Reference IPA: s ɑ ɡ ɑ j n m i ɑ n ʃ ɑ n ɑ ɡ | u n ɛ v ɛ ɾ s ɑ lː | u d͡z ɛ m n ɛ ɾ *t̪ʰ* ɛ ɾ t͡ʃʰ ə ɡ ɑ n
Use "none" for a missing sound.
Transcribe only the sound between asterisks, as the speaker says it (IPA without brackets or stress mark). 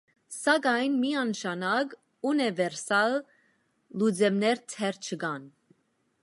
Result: t̪ʰ